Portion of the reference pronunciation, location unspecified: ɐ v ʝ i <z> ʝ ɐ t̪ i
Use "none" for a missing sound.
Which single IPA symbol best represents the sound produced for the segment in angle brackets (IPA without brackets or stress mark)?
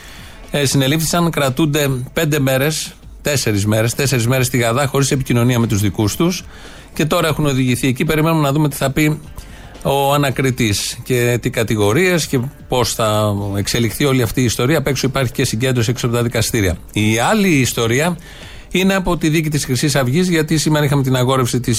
z